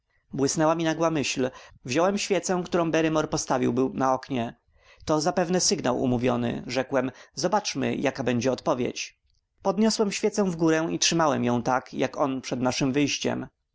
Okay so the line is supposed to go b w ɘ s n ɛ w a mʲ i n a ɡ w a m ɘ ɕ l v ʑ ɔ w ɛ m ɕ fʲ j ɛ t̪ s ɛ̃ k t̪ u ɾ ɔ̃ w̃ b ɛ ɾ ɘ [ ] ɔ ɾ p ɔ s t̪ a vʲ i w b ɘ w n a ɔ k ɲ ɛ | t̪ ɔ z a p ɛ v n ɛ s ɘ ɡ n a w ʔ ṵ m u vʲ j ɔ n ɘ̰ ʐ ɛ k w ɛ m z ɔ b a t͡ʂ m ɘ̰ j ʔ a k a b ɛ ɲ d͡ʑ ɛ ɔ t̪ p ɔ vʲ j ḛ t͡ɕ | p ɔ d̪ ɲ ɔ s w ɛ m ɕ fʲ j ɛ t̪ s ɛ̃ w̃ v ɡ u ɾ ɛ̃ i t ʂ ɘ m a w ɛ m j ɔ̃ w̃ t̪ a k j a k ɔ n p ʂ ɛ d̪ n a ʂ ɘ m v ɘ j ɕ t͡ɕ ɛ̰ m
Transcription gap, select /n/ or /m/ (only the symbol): m